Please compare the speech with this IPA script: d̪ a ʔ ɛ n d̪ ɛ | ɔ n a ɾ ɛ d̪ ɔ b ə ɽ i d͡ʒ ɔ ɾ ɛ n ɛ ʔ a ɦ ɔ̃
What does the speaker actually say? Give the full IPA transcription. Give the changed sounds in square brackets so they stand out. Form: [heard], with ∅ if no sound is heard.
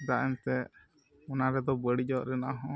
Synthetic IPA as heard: d̪ a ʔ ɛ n [t̪] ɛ | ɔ n a ɾ ɛ d̪ ɔ b ə ɽ i d͡ʒ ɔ ɾ ɛ n [a] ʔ a ɦ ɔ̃

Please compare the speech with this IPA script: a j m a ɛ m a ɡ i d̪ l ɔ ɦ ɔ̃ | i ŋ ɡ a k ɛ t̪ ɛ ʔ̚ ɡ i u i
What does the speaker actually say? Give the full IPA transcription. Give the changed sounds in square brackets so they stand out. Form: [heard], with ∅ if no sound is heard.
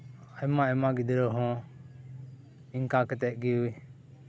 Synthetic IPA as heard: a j m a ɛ m a ɡ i d̪ [ɾ] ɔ ɦ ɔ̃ | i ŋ [k] a k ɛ t̪ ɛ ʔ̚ ɡ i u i

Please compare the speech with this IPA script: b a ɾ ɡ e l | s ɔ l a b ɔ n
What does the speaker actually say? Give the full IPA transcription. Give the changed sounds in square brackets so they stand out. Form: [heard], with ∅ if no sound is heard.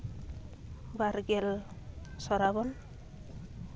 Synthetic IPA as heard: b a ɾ ɡ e l | s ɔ [ɾ] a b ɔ n

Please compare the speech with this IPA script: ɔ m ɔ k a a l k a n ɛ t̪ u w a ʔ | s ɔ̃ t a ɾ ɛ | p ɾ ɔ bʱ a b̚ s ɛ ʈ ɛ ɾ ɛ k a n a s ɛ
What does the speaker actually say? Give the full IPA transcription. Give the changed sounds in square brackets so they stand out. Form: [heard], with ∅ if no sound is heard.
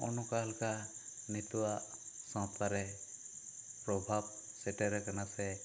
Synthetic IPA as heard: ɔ [n] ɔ k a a l k a n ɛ t̪ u w a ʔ | s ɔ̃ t a ɾ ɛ | p ɾ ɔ bʱ a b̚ s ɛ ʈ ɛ ɾ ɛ k a n a s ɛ

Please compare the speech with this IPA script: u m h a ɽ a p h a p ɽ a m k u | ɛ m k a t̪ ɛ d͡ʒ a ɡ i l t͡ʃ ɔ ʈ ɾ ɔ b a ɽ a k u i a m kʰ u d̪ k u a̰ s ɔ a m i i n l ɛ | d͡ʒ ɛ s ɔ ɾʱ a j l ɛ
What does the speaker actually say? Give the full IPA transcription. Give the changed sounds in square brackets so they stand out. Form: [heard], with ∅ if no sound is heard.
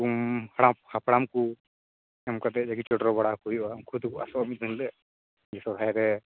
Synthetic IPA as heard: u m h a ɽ a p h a p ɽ a m k u | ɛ m k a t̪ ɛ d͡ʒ a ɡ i [∅] t͡ʃ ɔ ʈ ɾ ɔ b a ɽ a k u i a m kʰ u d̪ k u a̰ s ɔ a m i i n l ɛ | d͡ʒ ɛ s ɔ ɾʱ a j [ɾ] ɛ

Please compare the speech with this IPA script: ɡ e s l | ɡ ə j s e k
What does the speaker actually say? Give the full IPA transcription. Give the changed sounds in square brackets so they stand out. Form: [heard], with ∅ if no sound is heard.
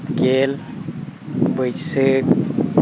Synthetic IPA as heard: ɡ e [∅] l | [b] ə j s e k

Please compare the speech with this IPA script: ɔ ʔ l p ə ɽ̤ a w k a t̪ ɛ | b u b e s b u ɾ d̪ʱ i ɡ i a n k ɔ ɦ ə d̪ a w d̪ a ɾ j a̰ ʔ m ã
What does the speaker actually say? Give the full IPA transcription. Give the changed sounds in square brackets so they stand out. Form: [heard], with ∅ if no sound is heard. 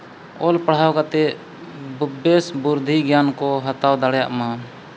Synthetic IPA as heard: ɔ [∅] l p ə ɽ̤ a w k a t̪ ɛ | b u b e s b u ɾ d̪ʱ i ɡ [j] a n k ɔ ɦ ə [t̪] a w d̪ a [ɽ] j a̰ ʔ m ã

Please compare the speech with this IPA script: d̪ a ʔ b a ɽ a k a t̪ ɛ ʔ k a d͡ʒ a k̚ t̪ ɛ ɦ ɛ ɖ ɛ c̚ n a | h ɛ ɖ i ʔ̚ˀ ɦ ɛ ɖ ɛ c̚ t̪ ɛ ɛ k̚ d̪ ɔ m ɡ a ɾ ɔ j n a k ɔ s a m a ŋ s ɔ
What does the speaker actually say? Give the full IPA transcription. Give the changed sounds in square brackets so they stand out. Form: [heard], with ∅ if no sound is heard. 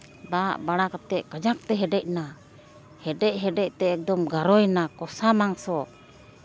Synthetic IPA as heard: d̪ a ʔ b a ɽ a k a t̪ ɛ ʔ k a d͡ʒ a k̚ t̪ ɛ ɦ ɛ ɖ ɛ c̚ n a | h ɛ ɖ [ɛ] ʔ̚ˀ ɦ ɛ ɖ ɛ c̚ t̪ ɛ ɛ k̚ d̪ ɔ m ɡ a ɾ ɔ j n a k ɔ s a m a ŋ s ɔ

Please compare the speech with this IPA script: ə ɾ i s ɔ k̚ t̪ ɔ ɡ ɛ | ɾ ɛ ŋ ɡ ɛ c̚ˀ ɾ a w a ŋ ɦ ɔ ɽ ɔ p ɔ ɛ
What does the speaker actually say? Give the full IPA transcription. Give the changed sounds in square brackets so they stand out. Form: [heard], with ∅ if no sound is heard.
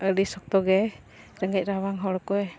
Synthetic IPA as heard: ə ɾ i s ɔ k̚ t̪ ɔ ɡ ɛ | ɾ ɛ ŋ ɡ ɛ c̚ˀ ɾ a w a ŋ ɦ ɔ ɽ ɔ [k] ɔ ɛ

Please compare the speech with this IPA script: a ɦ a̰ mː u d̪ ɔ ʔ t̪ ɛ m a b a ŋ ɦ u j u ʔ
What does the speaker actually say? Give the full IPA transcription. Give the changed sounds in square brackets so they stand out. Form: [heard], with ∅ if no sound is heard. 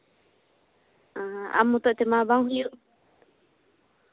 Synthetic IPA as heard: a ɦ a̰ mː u [t̪] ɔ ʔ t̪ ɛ m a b a ŋ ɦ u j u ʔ

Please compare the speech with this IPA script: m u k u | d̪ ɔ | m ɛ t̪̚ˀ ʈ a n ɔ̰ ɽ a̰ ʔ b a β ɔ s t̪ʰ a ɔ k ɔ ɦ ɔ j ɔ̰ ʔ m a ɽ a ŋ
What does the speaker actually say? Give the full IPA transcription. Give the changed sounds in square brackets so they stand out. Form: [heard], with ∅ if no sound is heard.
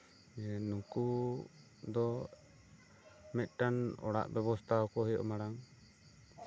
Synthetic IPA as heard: [n] u k u | d̪ ɔ | m ɛ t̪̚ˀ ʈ a n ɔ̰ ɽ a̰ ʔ b [ɛ] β ɔ s t̪ʰ a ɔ k ɔ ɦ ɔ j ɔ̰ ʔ m a ɽ a ŋ

